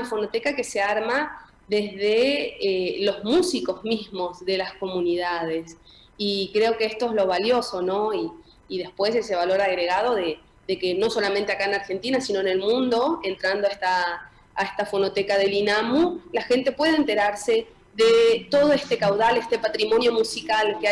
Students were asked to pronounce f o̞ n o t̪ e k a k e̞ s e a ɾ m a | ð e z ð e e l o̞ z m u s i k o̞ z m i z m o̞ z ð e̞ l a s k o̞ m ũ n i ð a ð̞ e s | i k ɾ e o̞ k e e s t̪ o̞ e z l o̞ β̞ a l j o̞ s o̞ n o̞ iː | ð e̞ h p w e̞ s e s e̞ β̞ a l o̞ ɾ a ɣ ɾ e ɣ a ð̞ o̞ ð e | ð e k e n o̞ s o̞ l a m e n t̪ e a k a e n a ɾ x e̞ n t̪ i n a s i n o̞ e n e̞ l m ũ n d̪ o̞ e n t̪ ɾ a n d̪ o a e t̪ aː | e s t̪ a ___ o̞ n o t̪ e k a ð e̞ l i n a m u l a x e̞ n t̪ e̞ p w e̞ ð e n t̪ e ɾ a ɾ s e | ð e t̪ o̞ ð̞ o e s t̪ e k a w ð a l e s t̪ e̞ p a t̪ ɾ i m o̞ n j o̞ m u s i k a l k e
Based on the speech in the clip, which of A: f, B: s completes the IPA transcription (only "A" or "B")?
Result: A